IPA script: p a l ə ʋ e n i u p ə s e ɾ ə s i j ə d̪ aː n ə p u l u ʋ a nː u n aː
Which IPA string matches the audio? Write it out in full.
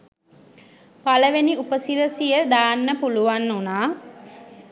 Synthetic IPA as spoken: p a l ə ʋ e n i u p ə s i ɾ ə s i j ə d̪ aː nː ə p u l u ʋ a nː u n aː

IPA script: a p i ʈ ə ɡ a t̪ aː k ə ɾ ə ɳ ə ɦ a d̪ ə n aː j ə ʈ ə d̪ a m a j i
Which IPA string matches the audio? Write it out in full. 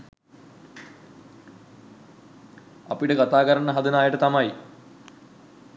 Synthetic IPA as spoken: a p i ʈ ə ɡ a t̪ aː k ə ɾ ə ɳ ə ɦ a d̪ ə n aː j ə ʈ ə t̪ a m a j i

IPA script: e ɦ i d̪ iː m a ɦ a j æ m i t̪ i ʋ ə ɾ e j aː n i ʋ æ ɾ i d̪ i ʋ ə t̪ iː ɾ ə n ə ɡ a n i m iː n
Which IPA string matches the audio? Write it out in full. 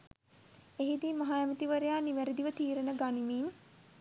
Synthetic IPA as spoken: e ɦ i d̪ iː m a ɦ a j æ m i t̪ i ʋ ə ɾ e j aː n i ʋ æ ɾ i d̪ i ʋ ə t̪ iː ɾ ə n ə ɡ a n i m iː n

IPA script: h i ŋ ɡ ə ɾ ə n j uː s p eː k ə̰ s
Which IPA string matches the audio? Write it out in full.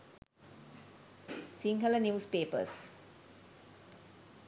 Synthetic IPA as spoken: s i ŋ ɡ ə l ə n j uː s p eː p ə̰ s

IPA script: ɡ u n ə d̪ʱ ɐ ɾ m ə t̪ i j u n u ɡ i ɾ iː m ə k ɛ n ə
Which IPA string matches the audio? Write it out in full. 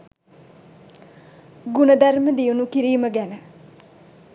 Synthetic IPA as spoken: ɡ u n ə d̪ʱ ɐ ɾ m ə d̪ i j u n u k i ɾ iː m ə ɡ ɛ n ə

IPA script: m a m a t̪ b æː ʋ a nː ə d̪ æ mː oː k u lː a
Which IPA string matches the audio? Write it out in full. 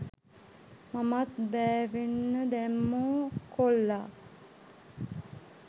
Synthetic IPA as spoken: m a m a t̪ b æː ʋ e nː ə d̪ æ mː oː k o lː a

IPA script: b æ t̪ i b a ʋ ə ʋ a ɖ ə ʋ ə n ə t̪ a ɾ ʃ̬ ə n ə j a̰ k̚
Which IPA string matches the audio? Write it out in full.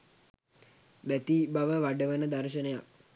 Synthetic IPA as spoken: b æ t̪ i b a ʋ ə ʋ a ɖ ə ʋ ə n ə d̪ a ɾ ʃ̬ ə n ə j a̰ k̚

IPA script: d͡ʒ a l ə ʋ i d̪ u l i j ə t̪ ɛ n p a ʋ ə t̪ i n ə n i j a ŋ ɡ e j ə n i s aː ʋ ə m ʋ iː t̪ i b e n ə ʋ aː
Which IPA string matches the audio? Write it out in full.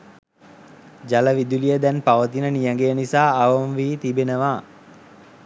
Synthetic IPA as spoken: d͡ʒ a l ə ʋ i d̪ u l i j ə d̪ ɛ n p a ʋ ə t̪ i n ə n i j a ŋ ɡ e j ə n i s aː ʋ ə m ʋ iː t̪ i b e n ə ʋ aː

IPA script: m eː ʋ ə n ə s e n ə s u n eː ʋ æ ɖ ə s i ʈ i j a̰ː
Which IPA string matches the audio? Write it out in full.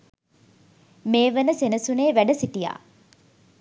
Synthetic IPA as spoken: m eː ʋ ə n ə s e n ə s u n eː ʋ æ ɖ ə s i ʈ i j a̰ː

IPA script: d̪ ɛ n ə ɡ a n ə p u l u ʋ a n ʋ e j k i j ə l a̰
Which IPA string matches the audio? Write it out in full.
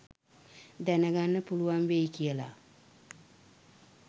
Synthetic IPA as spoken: d̪ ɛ n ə ɡ a nː ə p u l u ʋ a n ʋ e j k i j ə l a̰

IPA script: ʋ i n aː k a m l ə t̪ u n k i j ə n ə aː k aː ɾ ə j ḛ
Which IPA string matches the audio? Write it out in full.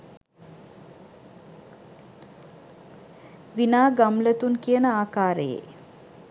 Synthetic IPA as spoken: ʋ i n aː ɡ a m l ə t̪ u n k i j ə n ə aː k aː ɾ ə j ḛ

